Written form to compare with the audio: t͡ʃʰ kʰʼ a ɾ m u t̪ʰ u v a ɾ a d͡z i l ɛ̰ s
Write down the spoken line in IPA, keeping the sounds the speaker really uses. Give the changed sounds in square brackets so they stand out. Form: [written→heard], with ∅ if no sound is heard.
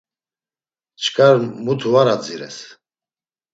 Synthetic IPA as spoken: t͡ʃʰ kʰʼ a ɾ m u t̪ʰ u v a ɾ a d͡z i [l→ɾ] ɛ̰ s